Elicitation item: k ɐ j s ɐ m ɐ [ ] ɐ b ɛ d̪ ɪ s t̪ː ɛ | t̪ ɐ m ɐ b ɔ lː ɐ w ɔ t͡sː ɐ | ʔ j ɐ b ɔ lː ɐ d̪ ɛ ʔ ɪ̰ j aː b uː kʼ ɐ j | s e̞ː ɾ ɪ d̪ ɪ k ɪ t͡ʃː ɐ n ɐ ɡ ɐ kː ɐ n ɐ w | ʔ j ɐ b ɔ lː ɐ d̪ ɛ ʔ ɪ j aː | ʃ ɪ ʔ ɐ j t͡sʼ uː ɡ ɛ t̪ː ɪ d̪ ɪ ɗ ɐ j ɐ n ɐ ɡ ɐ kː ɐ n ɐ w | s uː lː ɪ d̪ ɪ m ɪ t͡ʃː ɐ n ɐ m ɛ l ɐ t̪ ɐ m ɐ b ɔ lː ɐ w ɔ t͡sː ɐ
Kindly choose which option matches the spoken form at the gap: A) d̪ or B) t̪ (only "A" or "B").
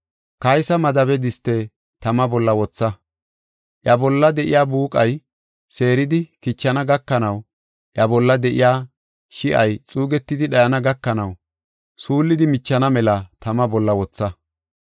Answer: A